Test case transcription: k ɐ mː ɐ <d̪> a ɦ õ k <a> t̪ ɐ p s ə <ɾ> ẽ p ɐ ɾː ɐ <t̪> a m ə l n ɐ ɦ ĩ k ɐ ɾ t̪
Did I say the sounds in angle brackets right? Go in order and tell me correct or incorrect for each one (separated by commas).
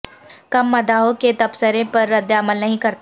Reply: correct, incorrect, correct, incorrect